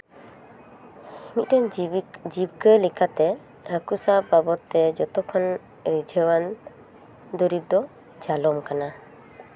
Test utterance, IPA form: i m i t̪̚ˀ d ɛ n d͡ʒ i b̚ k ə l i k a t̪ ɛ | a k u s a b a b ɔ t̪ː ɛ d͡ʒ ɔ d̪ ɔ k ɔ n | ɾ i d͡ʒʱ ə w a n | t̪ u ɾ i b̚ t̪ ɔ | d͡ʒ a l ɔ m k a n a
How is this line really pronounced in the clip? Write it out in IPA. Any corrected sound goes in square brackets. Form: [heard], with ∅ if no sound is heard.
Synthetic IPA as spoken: i m i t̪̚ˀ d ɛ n d͡ʒ i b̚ k ə l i k a t̪ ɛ | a k u s a b a b ɔ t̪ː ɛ d͡ʒ ɔ [t̪] ɔ [kʰ] ɔ n | ɾ i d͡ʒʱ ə w a n | [d̪] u ɾ i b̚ [d̪] ɔ | d͡ʒ a l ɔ m k a n a